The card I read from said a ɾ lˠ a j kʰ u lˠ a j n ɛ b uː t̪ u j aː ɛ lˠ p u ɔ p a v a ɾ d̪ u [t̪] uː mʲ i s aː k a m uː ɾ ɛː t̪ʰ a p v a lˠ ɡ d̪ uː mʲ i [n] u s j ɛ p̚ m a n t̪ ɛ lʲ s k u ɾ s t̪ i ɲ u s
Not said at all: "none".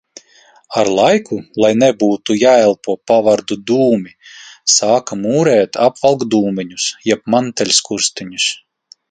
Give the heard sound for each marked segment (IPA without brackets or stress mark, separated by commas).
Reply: d̪, ɲ